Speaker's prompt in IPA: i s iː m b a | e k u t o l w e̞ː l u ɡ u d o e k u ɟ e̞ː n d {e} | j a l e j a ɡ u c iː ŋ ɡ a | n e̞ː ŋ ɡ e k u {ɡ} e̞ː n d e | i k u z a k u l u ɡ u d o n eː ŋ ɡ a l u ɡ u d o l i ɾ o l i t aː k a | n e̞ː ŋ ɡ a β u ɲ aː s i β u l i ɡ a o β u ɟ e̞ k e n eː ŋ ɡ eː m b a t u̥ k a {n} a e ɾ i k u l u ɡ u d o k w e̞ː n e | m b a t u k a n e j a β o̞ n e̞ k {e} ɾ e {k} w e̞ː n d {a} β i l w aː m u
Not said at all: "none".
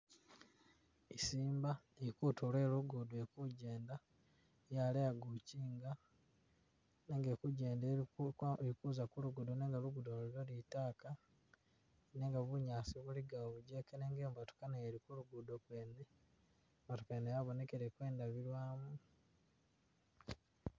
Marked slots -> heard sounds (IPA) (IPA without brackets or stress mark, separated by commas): a, ɟ, n, e, k, a